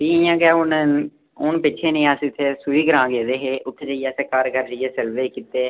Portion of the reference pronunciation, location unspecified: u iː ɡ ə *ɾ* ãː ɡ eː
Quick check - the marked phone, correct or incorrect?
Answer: correct